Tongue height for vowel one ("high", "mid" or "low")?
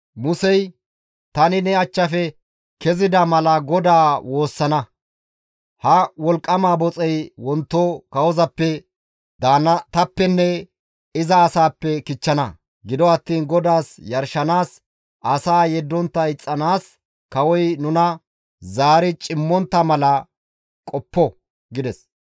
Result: high